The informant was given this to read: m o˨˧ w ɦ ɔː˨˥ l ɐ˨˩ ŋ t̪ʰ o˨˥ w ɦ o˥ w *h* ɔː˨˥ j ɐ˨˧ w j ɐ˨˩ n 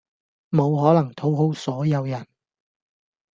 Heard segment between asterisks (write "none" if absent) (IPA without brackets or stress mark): s